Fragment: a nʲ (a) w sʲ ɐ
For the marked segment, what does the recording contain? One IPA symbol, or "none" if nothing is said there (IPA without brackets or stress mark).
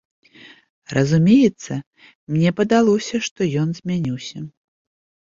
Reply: i